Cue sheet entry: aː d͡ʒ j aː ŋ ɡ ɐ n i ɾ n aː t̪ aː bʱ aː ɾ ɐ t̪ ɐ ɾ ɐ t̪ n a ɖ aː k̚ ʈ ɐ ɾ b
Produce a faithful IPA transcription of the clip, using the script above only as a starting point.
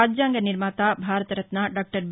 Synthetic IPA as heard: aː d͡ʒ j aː ŋ ɡ ɐ n i ɾ m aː t̪ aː bʱ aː ɾ ɐ t̪ ɐ ɾ ɐ t̪ n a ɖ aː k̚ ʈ ɐ ɾ b